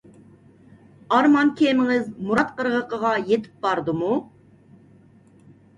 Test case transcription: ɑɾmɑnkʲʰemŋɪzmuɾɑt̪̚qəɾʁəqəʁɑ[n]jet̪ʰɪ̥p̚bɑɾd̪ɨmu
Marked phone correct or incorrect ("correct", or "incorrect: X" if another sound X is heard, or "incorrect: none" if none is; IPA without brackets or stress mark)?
incorrect: none